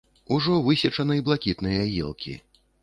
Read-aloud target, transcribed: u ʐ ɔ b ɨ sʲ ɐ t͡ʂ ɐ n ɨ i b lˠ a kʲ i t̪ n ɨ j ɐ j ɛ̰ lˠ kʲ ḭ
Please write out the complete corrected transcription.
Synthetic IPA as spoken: u ʐ ɔ v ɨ sʲ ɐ t͡ʂ ɐ n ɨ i b lˠ a kʲ i t̪ n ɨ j ɐ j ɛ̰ lˠ kʲ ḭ